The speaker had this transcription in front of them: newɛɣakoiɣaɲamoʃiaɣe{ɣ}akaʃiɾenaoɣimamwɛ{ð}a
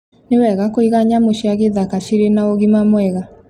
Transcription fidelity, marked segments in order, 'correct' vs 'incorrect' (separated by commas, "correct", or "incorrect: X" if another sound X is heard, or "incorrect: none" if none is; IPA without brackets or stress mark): incorrect: ð, incorrect: ɣ